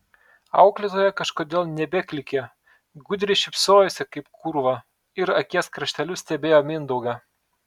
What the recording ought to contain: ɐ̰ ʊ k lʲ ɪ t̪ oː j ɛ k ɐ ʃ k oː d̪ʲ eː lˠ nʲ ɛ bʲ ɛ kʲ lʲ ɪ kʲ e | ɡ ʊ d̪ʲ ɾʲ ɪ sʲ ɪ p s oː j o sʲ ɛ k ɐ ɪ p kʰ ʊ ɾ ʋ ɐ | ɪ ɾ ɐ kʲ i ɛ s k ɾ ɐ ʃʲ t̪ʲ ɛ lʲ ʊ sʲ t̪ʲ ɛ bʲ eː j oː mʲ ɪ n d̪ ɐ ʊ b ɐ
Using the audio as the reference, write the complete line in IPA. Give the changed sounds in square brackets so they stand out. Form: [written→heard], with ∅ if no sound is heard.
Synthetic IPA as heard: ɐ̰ ʊ k lʲ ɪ t̪ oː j ɛ k ɐ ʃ k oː d̪ʲ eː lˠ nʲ ɛ bʲ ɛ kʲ lʲ ɪ kʲ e | ɡ ʊ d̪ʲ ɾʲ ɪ [sʲ→ʃʲ] ɪ p s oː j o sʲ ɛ k ɐ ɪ p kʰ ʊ ɾ ʋ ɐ | ɪ ɾ ɐ kʲ i ɛ s k ɾ ɐ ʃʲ t̪ʲ ɛ lʲ ʊ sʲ t̪ʲ ɛ bʲ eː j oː mʲ ɪ n d̪ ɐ ʊ [b→ɡ] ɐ